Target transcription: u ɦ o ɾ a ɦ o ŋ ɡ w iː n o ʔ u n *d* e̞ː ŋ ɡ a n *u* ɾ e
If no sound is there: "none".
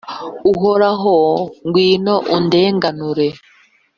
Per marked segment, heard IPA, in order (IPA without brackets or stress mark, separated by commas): d, u